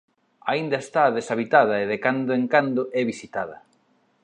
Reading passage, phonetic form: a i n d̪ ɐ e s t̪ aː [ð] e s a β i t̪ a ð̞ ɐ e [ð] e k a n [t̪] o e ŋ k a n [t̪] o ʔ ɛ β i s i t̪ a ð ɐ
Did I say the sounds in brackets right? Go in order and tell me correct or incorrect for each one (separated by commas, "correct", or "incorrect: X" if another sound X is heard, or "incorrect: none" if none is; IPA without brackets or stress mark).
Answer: correct, correct, incorrect: d̪, incorrect: d̪